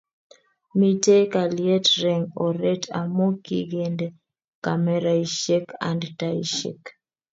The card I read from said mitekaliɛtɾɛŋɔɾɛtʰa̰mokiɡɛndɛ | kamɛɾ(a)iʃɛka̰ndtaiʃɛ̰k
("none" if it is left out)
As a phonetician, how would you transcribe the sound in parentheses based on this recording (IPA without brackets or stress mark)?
a